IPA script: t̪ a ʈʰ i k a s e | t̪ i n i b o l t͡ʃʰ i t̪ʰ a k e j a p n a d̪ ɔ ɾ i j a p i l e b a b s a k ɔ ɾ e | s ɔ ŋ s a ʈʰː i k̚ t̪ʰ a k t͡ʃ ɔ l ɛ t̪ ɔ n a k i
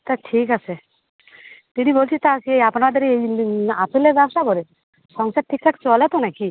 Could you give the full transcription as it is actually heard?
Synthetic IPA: t̪ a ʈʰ i k a s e | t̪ i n i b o l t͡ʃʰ i t̪ a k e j a p n a d̪ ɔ ɾ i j a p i l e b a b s a k ɔ ɾ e | s ɔ ŋ s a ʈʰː i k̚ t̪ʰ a k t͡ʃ ɔ l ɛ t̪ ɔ n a k i